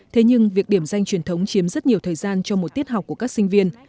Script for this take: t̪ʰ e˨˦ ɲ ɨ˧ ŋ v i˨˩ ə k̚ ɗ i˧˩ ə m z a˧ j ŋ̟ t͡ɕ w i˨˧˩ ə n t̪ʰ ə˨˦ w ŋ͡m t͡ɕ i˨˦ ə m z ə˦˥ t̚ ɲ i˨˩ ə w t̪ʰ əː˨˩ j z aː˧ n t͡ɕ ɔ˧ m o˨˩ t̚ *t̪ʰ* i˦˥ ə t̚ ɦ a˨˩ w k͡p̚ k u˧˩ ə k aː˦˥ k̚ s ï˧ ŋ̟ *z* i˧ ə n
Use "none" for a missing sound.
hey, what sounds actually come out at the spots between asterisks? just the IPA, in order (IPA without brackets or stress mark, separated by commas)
t̪, v